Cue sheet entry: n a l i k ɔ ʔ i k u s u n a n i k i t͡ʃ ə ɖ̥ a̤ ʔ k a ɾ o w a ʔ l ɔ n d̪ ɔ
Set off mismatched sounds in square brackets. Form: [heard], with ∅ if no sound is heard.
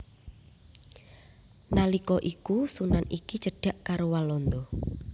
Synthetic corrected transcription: n a l i k ɔ ʔ i k u s u n a n i k i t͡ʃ ə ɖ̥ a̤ ʔ k a ɾ o w a [∅] l ɔ n d̪ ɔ